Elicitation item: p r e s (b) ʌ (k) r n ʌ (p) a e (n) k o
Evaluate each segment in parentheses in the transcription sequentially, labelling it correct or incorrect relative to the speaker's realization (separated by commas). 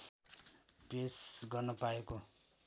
incorrect, incorrect, correct, incorrect